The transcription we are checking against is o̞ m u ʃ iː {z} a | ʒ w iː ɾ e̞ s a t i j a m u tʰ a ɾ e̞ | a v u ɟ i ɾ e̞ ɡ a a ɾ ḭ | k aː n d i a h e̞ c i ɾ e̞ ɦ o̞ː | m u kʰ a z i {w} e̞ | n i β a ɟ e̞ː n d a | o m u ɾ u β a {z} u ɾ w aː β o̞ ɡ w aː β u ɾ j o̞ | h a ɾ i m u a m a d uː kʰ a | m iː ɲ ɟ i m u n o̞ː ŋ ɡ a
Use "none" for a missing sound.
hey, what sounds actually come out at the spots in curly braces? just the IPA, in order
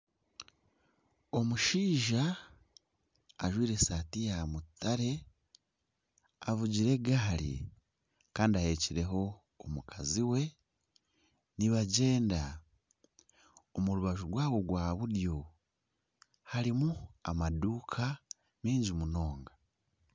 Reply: ʒ, w, ʒ

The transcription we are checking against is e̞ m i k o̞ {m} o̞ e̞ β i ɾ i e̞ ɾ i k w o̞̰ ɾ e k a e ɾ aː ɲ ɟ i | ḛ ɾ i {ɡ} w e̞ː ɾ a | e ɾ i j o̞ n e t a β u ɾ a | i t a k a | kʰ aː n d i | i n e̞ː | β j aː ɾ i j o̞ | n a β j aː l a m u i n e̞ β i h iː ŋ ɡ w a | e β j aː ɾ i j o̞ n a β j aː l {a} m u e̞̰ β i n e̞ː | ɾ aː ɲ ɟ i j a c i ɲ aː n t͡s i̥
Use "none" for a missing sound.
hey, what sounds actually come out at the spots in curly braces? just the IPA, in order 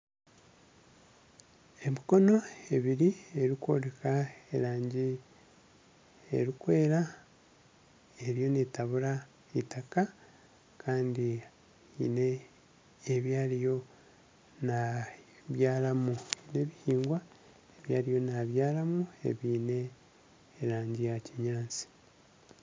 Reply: n, k, a

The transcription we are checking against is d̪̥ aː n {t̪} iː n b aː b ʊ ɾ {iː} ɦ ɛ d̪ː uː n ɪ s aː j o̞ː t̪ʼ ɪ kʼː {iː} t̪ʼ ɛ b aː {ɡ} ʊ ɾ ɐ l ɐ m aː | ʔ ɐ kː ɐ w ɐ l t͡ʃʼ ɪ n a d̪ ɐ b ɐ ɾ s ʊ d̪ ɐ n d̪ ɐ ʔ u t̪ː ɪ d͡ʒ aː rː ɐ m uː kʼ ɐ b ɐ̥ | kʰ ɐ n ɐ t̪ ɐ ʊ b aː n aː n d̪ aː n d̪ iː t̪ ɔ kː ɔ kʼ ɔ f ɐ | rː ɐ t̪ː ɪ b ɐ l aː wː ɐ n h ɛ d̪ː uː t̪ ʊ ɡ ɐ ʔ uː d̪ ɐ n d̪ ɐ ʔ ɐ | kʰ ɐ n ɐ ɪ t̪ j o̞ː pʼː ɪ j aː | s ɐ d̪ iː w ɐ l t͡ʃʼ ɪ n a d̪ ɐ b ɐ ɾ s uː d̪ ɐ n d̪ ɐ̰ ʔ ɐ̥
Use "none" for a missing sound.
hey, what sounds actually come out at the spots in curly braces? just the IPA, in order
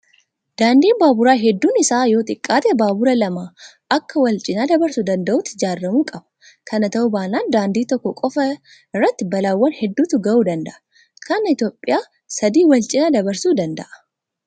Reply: d̪, aː, aː, b

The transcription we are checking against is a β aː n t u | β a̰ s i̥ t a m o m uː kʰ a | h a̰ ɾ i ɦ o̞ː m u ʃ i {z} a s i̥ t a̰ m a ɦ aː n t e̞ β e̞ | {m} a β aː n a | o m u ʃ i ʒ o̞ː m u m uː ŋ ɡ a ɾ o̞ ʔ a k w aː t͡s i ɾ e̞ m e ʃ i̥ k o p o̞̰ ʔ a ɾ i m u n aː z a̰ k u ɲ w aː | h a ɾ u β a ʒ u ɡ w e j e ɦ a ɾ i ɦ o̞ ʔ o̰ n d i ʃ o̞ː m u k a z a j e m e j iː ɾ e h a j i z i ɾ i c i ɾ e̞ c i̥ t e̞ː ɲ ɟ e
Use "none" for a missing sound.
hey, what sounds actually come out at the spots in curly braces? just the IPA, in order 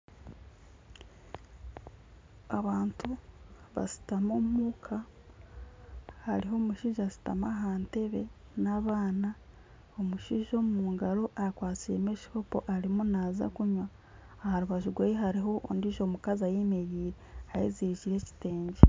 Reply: ʒ, n

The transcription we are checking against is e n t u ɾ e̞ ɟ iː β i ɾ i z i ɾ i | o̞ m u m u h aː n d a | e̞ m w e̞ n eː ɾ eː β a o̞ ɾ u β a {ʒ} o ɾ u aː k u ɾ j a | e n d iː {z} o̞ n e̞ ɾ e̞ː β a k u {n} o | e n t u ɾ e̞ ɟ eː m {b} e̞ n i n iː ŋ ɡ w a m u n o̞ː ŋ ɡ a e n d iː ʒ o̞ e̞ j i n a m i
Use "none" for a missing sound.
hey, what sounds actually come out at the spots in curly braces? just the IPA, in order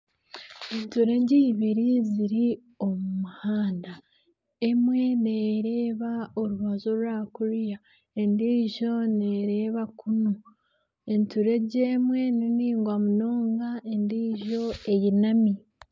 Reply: z, ʒ, n, w

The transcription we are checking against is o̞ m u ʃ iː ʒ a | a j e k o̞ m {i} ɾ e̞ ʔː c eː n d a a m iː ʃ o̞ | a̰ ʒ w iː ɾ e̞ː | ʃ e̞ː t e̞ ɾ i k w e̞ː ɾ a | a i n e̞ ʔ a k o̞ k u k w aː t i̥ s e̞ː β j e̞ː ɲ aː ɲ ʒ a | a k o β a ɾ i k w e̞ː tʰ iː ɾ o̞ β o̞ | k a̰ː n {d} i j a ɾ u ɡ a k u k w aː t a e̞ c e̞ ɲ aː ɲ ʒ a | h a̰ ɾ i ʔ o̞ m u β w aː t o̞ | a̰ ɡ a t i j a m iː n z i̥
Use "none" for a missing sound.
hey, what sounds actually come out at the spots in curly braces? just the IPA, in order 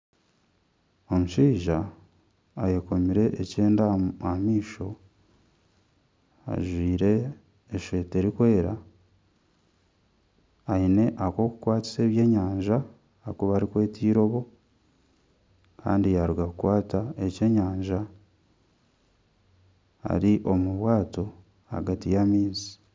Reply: i, d

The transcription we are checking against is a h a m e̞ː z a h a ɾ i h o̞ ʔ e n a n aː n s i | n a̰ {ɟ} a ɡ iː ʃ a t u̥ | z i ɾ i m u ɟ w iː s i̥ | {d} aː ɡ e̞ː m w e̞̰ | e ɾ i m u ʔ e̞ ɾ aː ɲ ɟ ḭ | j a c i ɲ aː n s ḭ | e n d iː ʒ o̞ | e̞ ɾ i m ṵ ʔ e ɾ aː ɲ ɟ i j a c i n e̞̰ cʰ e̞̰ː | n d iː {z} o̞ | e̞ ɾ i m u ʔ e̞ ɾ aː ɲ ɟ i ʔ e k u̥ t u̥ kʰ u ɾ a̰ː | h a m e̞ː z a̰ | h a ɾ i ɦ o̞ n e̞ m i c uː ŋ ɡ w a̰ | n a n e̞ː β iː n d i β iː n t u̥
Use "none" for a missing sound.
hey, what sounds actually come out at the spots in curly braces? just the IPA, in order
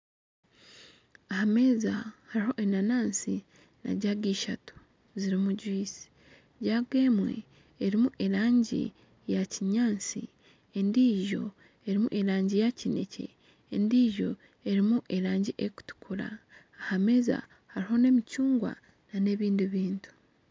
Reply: ɟ, ɟ, ʒ

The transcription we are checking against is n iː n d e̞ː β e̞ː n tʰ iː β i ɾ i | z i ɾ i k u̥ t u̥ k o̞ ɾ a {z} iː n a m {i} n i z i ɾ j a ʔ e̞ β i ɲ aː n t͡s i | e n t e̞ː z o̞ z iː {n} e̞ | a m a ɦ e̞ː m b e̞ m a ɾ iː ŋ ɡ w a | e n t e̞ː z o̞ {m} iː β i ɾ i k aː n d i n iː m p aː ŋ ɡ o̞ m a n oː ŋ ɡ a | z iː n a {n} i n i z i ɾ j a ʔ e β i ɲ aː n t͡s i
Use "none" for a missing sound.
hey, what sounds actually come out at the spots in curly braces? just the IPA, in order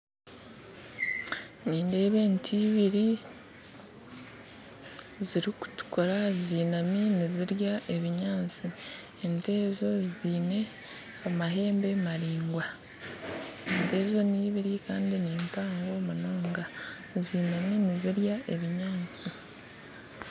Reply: z, i, n, n, m

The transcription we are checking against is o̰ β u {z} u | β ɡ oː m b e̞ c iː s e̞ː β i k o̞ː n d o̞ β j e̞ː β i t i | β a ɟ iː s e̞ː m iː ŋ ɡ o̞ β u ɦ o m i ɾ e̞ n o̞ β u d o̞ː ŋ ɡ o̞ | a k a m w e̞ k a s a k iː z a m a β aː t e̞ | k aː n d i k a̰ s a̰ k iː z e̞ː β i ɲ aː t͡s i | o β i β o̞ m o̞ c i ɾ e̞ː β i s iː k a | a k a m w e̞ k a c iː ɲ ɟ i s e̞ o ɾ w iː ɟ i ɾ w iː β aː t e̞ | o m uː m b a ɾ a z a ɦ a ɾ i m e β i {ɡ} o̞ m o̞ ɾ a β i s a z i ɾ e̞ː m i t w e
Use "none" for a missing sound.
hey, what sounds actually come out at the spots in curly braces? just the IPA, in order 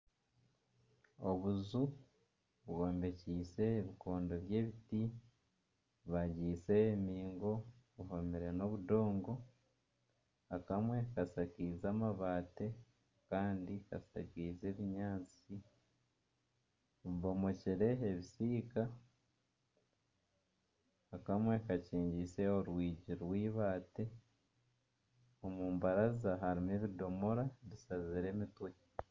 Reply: z, d

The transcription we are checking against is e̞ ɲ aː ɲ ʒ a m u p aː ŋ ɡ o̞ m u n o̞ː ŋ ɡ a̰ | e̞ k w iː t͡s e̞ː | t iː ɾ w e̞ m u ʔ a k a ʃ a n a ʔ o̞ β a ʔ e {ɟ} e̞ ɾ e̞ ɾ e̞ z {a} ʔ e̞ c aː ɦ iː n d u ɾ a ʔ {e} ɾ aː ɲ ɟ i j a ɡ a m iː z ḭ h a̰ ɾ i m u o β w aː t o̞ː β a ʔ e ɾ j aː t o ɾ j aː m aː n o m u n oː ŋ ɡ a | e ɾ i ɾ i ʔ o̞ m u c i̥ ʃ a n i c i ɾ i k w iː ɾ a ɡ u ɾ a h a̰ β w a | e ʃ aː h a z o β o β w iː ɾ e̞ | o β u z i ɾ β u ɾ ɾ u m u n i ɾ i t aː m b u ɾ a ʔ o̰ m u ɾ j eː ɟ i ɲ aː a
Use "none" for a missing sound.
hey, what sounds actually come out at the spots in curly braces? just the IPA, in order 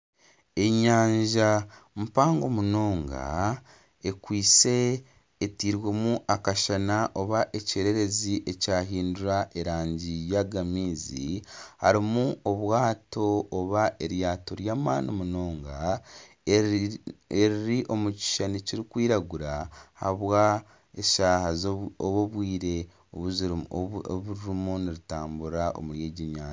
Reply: c, i, e

